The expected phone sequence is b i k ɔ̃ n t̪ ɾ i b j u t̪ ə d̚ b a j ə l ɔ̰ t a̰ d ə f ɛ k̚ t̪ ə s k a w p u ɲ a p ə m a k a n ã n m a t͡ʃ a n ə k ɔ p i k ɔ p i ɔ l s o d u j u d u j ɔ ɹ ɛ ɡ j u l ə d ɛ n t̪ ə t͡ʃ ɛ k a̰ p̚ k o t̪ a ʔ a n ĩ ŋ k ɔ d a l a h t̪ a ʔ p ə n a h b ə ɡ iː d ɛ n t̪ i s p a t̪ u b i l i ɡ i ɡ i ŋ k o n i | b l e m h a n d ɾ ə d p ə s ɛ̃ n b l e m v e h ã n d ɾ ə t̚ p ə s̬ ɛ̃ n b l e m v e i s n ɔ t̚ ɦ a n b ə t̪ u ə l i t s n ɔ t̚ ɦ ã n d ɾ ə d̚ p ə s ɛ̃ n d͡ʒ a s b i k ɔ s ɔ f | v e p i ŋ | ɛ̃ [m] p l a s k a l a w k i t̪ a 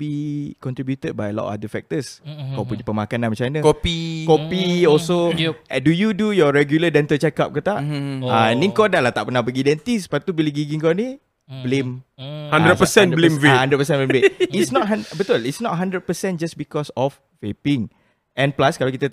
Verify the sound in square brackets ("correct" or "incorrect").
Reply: incorrect